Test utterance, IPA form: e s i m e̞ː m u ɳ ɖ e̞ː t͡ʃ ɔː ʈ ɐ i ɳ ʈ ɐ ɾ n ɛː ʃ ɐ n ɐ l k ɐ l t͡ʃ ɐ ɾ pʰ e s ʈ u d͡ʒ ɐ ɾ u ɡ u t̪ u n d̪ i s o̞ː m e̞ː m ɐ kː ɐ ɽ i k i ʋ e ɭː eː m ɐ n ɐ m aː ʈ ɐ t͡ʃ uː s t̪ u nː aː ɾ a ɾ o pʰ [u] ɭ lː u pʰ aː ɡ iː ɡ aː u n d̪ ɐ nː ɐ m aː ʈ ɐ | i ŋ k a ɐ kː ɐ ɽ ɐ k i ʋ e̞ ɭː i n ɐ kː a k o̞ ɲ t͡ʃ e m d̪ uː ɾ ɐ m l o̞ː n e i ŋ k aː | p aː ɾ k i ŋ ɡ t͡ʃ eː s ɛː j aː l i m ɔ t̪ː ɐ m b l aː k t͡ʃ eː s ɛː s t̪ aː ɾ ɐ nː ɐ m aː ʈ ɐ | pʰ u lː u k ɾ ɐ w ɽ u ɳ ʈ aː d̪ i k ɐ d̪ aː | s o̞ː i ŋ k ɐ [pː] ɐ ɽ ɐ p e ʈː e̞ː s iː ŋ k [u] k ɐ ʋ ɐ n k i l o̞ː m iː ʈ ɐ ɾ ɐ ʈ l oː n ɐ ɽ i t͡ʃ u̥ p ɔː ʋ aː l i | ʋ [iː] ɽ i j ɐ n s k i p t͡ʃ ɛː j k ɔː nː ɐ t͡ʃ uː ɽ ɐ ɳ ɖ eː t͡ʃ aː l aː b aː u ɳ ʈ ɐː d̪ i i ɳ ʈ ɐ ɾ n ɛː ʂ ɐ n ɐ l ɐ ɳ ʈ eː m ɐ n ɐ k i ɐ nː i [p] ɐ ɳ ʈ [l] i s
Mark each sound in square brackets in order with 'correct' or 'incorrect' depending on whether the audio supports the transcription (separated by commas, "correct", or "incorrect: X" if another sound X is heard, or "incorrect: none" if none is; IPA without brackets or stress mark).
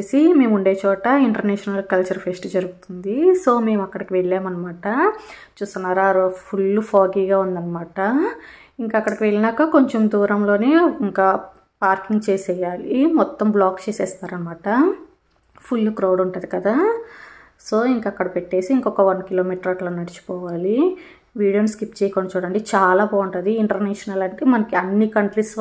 correct, incorrect: kː, incorrect: ɔ, correct, incorrect: k, correct